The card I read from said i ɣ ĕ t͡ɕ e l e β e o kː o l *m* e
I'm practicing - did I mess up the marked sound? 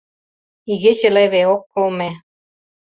no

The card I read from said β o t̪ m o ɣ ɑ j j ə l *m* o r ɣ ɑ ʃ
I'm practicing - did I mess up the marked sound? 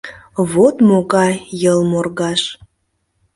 no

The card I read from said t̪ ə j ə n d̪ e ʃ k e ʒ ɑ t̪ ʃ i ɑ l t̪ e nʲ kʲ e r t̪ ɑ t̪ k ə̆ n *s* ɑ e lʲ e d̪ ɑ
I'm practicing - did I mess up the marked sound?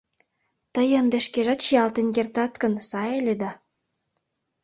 no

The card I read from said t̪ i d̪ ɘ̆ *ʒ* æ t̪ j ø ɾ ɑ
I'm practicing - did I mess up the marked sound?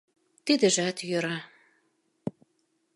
no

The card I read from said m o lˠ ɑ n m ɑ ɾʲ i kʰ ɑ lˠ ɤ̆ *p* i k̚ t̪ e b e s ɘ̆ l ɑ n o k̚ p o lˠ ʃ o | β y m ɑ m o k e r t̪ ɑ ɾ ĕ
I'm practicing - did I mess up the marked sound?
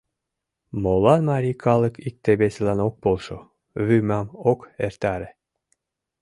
yes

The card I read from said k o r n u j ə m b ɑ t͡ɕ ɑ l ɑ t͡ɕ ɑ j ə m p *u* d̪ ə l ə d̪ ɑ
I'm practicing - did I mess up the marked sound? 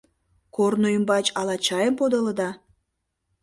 yes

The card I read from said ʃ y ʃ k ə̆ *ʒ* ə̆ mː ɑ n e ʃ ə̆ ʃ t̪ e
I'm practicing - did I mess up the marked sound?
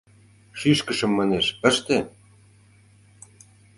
yes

